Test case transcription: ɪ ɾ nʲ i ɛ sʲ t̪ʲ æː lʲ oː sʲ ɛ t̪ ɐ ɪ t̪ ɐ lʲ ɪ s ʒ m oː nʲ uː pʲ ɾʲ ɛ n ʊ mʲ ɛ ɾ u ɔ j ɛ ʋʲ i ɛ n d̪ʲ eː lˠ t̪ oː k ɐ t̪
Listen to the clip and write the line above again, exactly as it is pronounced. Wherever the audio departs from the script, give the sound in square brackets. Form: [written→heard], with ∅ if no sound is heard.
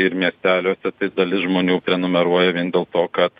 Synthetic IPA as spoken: ɪ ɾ [nʲ→mʲ] i ɛ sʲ t̪ʲ æː lʲ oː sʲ ɛ t̪ ɐ ɪ [t̪→d̪] ɐ lʲ ɪ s ʒ m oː nʲ uː pʲ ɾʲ ɛ n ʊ mʲ ɛ ɾ u ɔ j ɛ ʋʲ i ɛ n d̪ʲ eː lˠ t̪ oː k ɐ t̪